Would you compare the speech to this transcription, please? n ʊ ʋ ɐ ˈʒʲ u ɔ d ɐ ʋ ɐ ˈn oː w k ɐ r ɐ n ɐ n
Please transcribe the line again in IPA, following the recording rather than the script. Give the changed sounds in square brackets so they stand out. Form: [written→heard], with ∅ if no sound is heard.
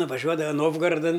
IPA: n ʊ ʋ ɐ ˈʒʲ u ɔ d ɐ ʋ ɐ ˈn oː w [k→ɡ] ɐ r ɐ [n→d] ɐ n